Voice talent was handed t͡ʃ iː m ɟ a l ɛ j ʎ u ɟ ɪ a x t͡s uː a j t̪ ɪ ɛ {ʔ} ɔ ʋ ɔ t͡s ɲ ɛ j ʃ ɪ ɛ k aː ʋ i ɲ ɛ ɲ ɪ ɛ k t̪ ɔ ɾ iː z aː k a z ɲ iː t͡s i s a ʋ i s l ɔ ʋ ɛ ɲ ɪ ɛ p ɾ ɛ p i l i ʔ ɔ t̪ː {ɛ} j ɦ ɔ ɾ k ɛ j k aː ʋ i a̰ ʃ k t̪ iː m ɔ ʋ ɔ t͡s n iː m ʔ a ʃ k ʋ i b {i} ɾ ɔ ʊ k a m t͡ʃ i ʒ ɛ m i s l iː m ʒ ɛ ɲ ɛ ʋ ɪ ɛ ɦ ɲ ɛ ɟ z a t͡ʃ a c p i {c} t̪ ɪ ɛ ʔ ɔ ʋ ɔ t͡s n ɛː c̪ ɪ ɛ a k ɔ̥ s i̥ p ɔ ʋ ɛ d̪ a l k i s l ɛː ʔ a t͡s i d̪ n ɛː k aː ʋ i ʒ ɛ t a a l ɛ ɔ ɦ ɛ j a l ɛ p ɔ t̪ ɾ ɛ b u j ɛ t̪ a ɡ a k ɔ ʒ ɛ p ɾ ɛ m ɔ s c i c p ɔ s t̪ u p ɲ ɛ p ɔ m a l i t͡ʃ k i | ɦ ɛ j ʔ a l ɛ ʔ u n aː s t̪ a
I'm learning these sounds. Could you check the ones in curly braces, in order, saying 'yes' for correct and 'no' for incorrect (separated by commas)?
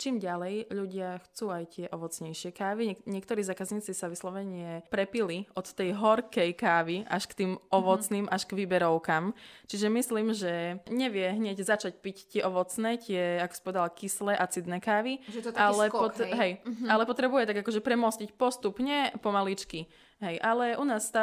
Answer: yes, yes, no, yes